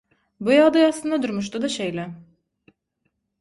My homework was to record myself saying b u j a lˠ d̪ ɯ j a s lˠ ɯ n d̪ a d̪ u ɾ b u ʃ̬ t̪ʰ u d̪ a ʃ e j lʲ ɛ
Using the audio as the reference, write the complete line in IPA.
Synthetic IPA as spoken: b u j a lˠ d̪ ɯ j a s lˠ ɯ n d̪ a d̪ u ɾ m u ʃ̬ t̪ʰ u d̪ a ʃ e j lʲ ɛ